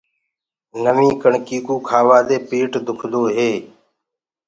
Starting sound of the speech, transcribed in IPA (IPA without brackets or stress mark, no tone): n